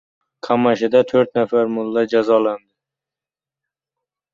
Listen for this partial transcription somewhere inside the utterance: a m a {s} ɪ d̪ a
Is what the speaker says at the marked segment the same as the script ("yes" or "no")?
no